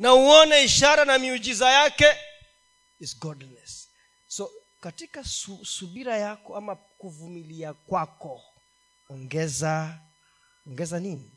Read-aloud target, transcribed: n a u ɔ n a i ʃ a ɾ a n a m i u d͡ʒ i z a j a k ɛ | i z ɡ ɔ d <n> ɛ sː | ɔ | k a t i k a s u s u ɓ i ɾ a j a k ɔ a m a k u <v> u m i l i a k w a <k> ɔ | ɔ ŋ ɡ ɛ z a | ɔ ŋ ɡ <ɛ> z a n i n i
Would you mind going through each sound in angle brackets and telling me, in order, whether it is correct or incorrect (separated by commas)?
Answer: correct, correct, correct, correct